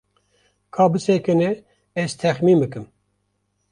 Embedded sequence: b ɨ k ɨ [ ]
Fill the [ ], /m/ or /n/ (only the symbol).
m